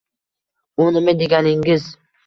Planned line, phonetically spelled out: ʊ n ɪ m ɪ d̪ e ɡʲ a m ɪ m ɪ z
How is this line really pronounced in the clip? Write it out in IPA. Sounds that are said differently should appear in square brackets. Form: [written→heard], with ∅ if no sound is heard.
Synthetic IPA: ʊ n ɪ m ɪ d̪ e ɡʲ a [m→n] ɪ [m→ŋ] ɪ z